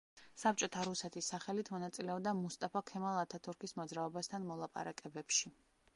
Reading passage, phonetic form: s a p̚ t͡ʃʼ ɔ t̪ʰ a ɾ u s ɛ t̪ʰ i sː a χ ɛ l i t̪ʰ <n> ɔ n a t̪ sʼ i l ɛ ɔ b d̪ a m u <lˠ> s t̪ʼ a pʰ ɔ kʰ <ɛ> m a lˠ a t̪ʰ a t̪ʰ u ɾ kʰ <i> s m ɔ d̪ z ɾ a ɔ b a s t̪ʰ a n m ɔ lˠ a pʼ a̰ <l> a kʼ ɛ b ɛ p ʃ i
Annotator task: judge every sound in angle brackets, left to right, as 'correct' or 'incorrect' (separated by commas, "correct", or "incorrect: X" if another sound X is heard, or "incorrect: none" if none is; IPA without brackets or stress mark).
incorrect: m, incorrect: none, correct, correct, incorrect: ɾ